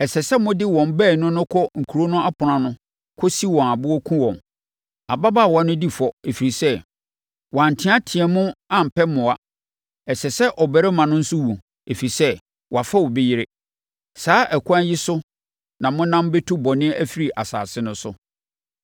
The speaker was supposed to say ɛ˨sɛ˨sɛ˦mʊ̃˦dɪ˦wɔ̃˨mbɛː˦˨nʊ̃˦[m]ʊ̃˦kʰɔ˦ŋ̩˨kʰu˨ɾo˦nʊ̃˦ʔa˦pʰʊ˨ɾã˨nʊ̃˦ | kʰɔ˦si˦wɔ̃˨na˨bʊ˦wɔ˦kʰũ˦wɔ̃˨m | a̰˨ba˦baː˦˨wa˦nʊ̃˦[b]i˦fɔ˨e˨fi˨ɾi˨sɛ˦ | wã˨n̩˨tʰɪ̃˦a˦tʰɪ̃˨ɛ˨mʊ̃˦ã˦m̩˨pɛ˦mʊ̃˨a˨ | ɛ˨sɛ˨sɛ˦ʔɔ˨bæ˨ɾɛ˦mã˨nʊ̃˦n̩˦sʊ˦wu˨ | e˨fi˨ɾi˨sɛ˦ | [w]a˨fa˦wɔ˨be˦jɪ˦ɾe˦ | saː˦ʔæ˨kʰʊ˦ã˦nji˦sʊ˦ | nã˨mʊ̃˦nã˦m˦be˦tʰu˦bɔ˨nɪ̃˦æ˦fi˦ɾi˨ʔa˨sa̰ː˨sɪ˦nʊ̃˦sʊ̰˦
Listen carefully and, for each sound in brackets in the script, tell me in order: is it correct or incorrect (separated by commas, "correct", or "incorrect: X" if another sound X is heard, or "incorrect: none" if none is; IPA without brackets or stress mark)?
incorrect: n, incorrect: d, correct